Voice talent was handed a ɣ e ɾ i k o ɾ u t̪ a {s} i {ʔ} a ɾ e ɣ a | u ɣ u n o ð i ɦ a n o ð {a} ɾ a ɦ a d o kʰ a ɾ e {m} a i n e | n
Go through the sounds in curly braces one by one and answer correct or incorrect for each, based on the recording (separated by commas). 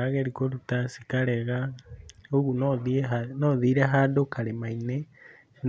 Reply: correct, incorrect, incorrect, correct